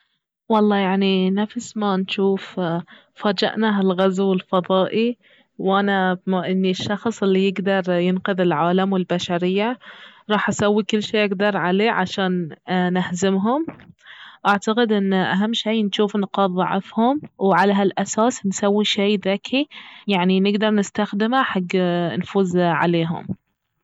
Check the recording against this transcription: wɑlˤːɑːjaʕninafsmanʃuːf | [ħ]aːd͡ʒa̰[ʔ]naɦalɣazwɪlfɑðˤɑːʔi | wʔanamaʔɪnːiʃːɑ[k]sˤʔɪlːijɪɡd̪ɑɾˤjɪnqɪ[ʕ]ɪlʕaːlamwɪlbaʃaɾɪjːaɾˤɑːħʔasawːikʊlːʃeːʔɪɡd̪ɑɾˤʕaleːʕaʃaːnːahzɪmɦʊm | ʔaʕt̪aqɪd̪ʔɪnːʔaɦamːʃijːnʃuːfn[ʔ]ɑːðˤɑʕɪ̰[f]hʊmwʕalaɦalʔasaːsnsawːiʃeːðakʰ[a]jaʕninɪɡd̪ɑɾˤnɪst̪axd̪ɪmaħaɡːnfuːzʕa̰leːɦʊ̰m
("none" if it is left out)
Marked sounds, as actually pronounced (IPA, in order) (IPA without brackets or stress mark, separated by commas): f, ʔ, x, ð, q, f, i